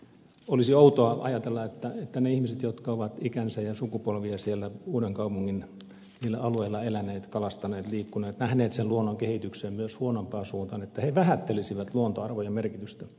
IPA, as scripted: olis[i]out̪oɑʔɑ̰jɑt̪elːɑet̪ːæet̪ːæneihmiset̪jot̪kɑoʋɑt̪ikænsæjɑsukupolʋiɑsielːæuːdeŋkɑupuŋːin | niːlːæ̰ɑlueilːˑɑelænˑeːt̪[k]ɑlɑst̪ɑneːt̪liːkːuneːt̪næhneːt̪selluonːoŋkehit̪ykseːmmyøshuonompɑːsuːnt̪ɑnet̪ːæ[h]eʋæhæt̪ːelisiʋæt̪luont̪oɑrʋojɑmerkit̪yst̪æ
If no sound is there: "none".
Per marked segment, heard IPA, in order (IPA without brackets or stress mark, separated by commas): i, k, h